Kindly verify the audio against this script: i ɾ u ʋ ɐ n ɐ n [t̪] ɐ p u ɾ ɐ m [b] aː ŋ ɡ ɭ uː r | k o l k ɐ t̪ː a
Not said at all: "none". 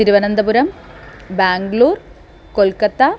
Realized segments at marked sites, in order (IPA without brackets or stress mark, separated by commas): d̪, b